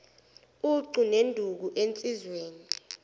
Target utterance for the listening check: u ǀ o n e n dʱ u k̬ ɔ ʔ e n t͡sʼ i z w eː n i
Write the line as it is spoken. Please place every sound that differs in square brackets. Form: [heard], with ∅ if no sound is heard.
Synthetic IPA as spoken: u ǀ [u] n e n dʱ u k̬ [u] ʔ e n t͡sʼ i z w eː n i